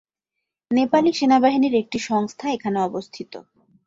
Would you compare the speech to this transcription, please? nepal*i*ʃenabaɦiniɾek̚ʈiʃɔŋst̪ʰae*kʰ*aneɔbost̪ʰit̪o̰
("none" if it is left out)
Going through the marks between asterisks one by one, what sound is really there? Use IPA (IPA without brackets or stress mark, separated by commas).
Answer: i, kʰ